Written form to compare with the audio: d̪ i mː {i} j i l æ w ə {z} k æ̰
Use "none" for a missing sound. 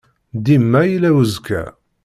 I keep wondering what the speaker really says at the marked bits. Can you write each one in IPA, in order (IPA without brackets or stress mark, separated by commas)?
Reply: æ, z